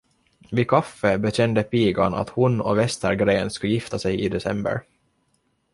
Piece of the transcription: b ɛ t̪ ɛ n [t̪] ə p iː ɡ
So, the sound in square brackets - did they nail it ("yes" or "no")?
no